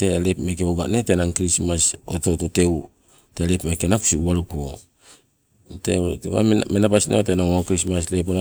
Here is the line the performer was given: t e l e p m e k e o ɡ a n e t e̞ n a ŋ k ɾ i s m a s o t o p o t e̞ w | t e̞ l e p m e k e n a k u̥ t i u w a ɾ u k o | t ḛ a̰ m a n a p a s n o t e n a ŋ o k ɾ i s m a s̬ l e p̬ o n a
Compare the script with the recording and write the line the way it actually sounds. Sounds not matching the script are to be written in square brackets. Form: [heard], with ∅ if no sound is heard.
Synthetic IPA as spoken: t e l e p m e k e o ɡ a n e t e̞ n a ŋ k ɾ i s m a s o t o [t] o t e̞ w | t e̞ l e p m e k e n a k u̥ [s] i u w a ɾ u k o | t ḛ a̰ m [e] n a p a s n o t e n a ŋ o k ɾ i s m a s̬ l e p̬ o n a

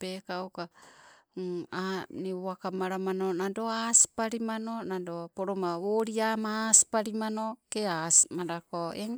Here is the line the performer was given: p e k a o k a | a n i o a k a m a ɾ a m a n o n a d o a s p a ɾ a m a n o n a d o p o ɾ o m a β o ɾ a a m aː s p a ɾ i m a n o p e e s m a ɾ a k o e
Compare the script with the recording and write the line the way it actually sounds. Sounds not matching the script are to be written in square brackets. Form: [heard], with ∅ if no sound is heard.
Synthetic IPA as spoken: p e k a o k a | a n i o a k a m a ɾ a m a n o n a d o a s p a ɾ [i] m a n o n a d o p o ɾ o m a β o ɾ [i] a m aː s p a ɾ i m a n o [k] e [a] s m a ɾ a k o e

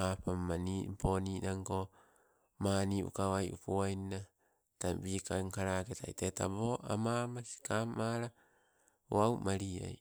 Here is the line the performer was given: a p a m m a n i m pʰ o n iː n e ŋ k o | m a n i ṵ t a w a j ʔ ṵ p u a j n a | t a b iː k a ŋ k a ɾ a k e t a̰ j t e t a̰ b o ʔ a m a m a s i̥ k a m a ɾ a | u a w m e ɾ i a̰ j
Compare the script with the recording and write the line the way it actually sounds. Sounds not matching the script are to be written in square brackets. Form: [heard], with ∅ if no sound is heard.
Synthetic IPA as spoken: a p a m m a n i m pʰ o n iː n [a] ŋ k o | m a n i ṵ [k] a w a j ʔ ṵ p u a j n a | t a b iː k a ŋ k a ɾ a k e t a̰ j t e t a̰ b o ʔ a m a m a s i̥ k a m a ɾ a | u a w m [a] ɾ i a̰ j

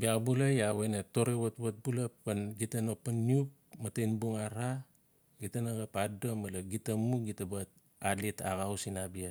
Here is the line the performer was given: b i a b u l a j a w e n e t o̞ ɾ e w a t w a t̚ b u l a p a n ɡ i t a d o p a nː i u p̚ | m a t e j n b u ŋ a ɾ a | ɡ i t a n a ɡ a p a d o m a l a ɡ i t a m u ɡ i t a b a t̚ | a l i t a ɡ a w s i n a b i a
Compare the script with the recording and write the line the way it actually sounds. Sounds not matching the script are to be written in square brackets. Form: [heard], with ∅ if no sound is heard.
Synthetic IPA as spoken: b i a b u l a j a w e n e t o̞ ɾ e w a t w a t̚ b u l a p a n ɡ i t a [n] o p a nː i u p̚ | m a t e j n b u ŋ a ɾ a | ɡ i t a n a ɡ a p a d o m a l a ɡ i t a m u ɡ i t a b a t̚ | a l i t a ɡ a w s i n a b i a

